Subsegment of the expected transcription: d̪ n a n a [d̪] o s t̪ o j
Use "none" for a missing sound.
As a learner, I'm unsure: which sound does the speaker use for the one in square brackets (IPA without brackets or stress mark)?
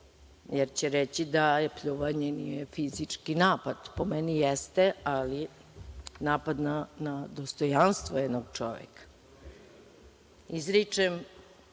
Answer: d̪